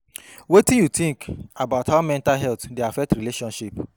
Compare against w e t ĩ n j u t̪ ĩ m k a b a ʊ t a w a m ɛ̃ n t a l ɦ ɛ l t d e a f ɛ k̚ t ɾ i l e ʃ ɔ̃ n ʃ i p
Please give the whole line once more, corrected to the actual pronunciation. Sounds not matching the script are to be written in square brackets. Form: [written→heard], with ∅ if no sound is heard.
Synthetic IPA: w e t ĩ n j u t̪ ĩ [m→ŋ] k a b a ʊ t a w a m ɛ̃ n t a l ɦ ɛ l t d e a f ɛ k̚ t ɾ i l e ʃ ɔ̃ n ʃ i p